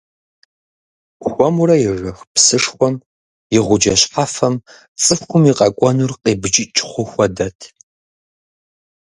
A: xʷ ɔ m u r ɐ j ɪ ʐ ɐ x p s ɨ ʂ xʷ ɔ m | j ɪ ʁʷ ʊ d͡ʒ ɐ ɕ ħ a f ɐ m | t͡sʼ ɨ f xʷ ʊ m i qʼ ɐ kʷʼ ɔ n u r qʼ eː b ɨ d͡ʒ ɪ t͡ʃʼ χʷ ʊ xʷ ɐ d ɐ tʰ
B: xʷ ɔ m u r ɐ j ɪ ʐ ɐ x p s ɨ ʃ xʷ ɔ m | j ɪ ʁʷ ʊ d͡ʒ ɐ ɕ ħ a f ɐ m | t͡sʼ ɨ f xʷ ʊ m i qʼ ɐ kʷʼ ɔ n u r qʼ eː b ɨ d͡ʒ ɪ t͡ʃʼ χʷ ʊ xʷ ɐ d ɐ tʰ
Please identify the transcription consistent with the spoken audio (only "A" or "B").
A